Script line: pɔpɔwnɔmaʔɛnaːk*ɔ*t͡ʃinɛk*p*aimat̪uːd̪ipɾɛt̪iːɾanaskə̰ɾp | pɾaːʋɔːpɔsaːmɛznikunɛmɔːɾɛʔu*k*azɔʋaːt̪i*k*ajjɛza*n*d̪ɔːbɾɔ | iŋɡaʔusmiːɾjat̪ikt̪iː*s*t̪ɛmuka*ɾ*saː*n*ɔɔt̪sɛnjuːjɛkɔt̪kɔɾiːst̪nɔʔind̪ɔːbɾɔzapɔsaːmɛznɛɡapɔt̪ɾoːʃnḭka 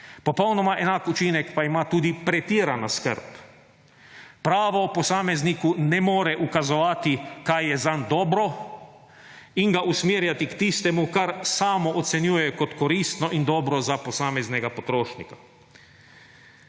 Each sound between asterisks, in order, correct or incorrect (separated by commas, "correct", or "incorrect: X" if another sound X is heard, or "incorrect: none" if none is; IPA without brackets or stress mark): incorrect: u, correct, correct, correct, correct, correct, correct, incorrect: m